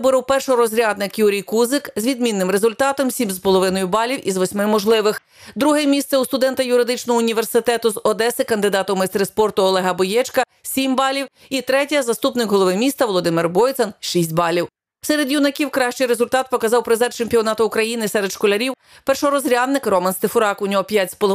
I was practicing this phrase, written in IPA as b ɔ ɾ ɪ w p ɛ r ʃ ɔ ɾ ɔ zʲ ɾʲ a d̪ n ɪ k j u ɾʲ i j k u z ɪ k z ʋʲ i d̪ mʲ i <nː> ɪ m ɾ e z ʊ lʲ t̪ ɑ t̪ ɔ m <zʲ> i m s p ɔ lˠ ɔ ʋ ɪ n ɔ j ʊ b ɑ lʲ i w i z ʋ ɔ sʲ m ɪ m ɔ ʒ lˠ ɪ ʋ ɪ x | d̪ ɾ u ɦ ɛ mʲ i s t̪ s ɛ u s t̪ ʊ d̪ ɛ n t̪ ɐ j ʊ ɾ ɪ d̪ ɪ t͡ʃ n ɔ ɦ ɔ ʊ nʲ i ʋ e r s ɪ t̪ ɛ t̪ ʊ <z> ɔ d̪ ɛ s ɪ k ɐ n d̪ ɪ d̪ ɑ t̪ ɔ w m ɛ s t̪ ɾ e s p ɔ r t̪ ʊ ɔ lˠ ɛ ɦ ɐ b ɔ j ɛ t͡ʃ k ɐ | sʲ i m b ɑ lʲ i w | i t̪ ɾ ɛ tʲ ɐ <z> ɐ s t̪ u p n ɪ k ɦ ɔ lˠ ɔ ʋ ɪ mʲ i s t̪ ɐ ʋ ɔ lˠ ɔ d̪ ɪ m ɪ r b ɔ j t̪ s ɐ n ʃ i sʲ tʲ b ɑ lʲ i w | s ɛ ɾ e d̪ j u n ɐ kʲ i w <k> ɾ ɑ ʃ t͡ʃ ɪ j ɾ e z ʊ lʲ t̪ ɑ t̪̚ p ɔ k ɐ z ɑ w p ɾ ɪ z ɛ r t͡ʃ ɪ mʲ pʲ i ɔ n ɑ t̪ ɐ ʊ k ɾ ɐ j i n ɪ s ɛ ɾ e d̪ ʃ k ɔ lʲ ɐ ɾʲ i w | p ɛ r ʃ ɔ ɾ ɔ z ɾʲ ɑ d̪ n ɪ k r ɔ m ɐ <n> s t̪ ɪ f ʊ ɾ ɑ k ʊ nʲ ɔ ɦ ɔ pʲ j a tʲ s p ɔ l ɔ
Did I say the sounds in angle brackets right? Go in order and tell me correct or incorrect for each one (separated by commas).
correct, incorrect, correct, correct, correct, correct